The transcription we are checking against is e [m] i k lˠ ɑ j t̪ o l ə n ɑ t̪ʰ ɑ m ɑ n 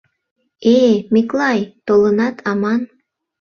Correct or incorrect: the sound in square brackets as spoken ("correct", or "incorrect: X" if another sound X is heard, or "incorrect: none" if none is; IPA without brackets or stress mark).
correct